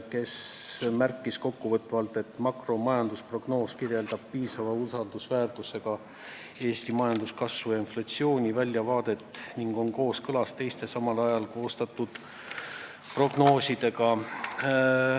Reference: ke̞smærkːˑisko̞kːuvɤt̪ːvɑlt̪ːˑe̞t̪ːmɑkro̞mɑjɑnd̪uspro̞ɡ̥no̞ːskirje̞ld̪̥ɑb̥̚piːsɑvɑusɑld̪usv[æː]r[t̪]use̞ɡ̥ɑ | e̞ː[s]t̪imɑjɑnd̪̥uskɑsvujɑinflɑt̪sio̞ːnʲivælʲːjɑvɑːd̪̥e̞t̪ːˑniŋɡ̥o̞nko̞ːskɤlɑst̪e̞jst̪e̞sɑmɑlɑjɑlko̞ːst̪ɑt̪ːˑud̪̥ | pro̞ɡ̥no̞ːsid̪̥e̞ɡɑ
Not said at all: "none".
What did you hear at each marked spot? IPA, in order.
æː, t̪, s

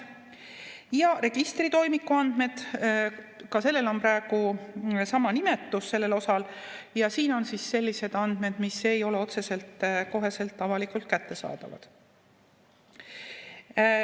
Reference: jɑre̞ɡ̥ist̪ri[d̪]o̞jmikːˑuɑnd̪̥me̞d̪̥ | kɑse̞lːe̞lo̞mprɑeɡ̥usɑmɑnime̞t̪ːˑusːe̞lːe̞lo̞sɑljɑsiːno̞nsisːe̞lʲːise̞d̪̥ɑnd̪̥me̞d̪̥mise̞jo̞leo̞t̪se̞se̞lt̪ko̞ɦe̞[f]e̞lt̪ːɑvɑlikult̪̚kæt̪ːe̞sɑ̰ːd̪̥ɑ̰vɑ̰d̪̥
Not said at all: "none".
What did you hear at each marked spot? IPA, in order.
t̪, s

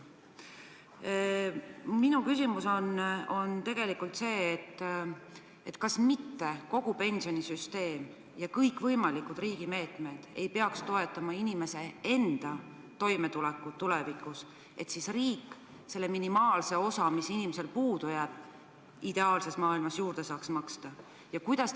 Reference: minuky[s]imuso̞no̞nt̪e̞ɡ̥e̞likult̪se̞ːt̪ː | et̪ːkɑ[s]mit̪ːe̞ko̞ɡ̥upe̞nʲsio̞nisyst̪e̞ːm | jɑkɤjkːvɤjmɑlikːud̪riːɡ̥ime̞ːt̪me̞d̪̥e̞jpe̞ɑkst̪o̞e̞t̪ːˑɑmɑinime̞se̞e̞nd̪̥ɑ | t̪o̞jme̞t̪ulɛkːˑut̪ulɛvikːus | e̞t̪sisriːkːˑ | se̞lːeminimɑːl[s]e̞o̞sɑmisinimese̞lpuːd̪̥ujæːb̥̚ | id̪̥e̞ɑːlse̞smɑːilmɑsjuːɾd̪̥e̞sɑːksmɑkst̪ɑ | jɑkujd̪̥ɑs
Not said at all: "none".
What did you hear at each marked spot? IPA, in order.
s, s, s

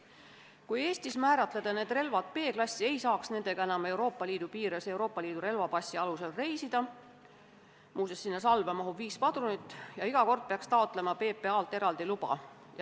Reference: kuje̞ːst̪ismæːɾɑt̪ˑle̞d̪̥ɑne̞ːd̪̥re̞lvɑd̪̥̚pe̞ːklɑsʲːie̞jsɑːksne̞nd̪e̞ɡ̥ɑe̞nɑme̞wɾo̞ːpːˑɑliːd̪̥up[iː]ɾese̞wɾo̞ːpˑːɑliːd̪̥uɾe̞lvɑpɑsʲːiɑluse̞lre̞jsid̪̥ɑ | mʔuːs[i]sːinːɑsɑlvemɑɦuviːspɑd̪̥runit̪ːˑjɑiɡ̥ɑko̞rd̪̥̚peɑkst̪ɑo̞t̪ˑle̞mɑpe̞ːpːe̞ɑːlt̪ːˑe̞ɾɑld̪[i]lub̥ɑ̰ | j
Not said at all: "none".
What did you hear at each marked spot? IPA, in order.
iː, e, i

